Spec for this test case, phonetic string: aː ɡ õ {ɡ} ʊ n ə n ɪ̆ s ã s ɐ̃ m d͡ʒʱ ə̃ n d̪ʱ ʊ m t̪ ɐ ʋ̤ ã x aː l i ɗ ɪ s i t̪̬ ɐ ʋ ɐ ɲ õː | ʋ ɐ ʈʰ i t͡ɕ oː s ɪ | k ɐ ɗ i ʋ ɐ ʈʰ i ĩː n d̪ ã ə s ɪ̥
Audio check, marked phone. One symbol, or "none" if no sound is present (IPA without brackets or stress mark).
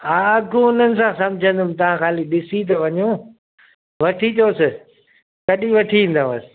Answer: none